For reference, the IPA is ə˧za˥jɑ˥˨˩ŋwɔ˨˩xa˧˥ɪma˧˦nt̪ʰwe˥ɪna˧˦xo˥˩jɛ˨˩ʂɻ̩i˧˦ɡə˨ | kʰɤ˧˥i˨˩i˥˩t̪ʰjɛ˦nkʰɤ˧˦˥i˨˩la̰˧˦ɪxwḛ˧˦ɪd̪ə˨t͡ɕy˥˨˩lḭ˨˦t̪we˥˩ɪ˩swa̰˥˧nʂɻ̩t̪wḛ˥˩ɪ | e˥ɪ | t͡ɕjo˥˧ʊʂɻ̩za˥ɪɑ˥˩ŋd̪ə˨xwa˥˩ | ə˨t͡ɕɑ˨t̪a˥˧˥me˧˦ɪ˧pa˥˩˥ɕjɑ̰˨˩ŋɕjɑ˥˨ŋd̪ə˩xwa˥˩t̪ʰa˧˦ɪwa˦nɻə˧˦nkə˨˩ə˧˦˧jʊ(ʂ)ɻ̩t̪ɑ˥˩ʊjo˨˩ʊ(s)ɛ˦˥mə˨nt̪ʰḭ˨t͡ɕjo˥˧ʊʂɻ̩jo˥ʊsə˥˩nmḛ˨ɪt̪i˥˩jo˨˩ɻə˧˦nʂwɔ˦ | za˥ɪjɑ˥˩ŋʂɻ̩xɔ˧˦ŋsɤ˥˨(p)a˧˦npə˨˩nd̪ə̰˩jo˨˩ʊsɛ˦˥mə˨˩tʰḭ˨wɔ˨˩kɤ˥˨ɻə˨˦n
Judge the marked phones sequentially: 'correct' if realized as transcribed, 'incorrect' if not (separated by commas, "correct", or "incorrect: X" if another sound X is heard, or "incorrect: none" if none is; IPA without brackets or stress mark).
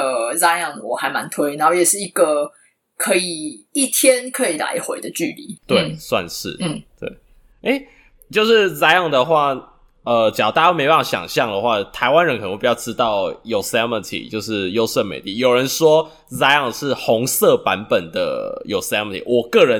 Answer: incorrect: ʈ͡ʂ, correct, correct